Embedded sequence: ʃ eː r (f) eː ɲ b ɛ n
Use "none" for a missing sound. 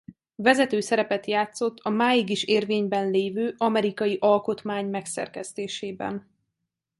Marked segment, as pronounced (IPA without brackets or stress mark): v